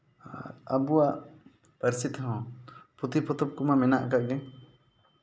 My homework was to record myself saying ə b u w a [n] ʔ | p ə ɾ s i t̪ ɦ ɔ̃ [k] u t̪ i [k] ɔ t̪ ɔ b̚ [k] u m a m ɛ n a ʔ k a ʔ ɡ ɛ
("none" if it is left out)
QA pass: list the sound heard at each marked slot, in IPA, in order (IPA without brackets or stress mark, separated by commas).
none, p, p, k